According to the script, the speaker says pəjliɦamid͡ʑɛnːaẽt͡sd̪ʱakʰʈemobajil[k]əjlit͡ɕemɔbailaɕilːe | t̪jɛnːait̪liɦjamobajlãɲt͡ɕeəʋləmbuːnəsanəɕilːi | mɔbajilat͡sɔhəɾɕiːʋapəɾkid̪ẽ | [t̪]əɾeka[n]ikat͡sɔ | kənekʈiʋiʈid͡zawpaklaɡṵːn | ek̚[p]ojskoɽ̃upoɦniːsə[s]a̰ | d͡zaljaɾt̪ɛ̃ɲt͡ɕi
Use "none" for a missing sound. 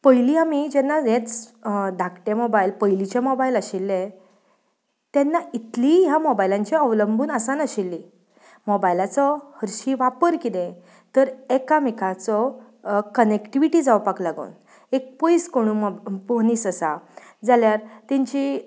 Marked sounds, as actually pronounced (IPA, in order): p, t̪, m, p, s

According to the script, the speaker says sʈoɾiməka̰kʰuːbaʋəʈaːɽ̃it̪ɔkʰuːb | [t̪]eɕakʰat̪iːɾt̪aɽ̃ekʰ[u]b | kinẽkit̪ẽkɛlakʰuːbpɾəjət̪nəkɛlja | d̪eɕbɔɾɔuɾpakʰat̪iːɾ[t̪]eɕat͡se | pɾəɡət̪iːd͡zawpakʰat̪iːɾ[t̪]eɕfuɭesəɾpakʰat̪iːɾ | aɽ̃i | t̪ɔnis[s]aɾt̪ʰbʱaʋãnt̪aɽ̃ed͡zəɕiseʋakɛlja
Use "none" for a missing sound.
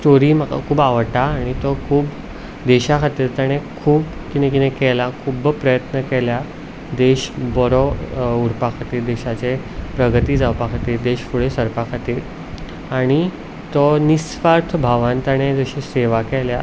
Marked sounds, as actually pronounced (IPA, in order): d̪, uː, d̪, d̪, f

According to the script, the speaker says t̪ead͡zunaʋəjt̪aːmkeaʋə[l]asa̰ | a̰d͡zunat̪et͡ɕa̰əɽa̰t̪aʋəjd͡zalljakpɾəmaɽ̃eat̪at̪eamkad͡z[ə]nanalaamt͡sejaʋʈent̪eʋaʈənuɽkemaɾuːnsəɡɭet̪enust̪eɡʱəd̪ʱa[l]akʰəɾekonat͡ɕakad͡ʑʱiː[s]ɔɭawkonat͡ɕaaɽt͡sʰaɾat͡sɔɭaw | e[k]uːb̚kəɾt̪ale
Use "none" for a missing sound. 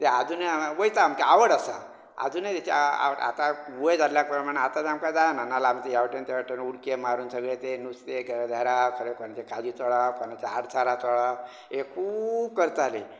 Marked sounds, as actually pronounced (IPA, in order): ɽ, a, ɾ, t͡s, kʰ

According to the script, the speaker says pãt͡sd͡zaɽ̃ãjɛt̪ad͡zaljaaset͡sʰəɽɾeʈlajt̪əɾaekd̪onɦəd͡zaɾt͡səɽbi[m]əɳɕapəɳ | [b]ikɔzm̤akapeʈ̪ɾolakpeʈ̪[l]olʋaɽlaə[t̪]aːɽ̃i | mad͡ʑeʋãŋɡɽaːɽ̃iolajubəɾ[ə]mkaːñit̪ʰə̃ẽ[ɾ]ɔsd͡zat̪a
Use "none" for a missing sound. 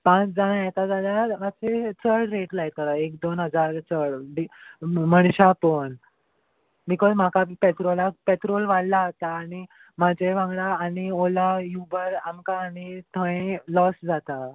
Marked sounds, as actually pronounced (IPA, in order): m, b, ɾ, t̪, a, l

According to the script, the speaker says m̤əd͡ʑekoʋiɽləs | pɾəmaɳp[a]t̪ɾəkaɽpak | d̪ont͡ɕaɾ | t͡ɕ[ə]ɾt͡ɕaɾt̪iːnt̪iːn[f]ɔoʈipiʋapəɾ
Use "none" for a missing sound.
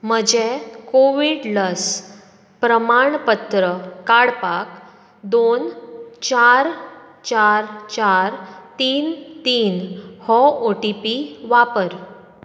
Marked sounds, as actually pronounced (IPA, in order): ə, a, h

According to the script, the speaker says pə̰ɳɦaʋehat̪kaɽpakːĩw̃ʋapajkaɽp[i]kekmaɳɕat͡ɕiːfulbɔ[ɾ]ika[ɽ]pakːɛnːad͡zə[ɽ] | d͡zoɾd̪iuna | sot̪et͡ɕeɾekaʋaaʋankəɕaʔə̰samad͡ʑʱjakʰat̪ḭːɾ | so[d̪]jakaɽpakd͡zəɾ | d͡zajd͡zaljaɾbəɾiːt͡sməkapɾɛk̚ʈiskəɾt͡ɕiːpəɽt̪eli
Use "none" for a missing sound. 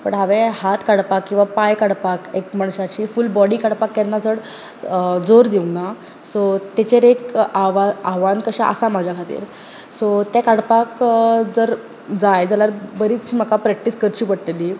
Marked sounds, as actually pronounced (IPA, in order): a, ɽ, ɽ, ɽ, t̪

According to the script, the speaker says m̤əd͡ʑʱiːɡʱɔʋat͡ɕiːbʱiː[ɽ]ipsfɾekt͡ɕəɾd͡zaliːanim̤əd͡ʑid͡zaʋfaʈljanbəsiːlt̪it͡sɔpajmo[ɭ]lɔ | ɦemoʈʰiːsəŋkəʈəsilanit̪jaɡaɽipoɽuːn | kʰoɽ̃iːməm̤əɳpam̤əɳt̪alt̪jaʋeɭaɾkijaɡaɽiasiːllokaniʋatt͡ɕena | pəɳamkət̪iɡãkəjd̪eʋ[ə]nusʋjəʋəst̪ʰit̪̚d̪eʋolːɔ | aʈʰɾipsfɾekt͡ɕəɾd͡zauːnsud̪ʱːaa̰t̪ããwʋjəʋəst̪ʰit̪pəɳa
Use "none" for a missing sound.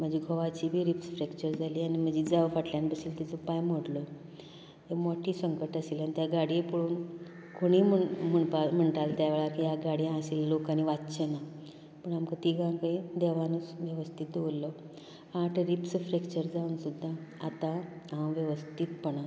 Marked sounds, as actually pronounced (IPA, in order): ɾ, ɽ, a

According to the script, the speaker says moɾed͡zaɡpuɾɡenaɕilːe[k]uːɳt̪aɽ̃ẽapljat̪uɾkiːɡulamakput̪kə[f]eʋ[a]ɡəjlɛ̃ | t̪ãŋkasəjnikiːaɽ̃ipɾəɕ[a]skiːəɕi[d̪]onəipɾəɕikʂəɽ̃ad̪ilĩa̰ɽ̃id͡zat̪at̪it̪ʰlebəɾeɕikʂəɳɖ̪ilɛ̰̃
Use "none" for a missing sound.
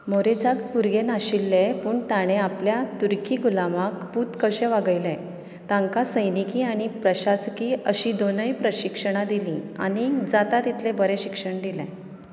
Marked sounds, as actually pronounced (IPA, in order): p, ɕ, a, a, d̪

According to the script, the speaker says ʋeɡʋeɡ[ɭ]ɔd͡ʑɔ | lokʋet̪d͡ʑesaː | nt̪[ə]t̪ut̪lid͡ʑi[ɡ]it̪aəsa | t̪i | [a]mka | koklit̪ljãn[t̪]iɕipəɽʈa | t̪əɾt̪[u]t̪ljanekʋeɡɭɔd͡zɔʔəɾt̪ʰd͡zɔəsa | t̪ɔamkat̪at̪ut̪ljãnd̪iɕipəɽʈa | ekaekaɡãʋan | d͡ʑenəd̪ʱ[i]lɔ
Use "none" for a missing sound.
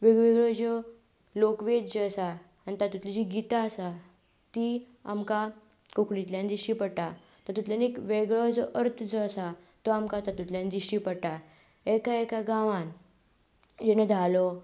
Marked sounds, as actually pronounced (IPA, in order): ɭ, a, ɡ, a, d̪, u, a

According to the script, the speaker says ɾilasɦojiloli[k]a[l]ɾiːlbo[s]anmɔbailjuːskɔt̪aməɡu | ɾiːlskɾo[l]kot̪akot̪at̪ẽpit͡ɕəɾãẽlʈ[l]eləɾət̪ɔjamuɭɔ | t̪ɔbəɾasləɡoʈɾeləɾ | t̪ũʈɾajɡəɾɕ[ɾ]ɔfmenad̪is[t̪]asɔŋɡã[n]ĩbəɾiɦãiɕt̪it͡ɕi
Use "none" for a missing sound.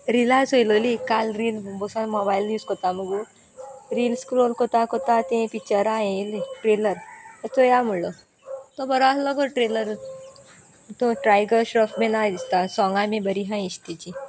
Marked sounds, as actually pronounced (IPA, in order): k, l, s, l, ɾ, ɾ, t̪, m

